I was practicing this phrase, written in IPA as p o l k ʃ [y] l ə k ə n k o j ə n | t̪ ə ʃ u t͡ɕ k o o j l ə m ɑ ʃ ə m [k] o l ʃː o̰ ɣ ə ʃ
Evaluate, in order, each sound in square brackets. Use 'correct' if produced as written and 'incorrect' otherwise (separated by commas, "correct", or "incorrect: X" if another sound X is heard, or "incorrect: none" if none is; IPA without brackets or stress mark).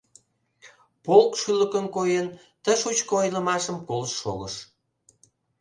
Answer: correct, correct